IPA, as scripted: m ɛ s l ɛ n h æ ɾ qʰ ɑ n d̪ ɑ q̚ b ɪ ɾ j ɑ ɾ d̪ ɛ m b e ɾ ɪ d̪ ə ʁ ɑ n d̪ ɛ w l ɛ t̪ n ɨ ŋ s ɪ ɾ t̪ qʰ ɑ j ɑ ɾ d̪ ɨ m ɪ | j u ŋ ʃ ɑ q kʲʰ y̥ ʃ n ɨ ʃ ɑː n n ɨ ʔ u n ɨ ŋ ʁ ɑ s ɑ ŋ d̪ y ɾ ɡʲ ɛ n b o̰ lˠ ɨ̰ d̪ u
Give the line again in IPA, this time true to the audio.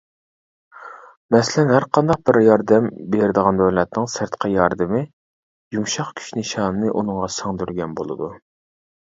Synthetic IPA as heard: m ɛ s l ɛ n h æ ɾ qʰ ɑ n d̪ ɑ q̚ b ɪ ɾ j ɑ ɾ d̪ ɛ m b e ɾ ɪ d̪ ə ʁ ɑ n d̪ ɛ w l ɛ t̪ n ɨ ŋ s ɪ ɾ t̪ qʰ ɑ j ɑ ɾ d̪ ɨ m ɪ | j u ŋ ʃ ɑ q kʲʰ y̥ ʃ n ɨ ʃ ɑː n n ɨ ʔ u n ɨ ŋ ʁ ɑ s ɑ ŋ d̪ y ɾ ɡʲ ɛ n b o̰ lˠ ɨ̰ d̪ u